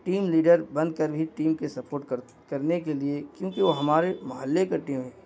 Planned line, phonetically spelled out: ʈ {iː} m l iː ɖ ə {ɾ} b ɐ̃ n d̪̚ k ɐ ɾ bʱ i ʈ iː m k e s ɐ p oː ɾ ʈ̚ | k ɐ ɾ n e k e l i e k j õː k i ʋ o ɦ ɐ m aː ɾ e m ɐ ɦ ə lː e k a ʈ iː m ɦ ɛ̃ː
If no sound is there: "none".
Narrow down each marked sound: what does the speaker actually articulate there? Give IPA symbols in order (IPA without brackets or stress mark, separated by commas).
iː, ɾ